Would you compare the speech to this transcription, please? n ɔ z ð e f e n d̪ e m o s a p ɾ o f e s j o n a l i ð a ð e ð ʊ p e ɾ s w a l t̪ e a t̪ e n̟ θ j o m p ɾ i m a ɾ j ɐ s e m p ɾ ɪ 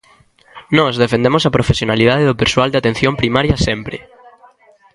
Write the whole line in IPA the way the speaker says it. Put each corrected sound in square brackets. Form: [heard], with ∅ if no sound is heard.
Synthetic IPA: n ɔ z ð e f e n d̪ e m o s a p ɾ o f e s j o n a l i ð a ð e ð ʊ p e ɾ s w a l [d̪] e a t̪ e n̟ θ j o m p ɾ i m a ɾ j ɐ s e m p ɾ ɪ